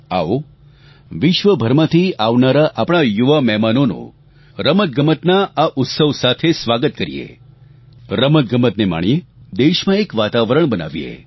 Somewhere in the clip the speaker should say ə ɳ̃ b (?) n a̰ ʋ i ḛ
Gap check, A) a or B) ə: B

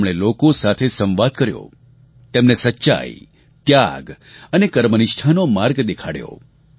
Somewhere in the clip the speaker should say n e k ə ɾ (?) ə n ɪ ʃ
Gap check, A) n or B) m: B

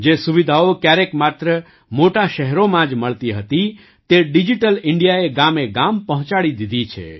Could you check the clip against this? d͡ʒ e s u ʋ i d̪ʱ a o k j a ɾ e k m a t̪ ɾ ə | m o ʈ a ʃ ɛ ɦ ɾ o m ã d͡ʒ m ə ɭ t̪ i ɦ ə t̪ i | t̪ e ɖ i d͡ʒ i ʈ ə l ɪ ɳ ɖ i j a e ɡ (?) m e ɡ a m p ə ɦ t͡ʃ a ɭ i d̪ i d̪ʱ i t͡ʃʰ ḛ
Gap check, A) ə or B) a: B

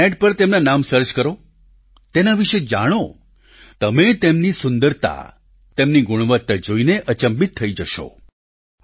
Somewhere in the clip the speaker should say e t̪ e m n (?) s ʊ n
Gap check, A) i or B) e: A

